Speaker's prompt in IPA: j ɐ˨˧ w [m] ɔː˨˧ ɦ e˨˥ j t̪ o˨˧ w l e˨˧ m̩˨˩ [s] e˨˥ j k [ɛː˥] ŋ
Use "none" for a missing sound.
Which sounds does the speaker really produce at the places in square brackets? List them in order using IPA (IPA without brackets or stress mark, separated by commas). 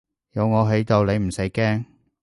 ŋ, s, ɛː˥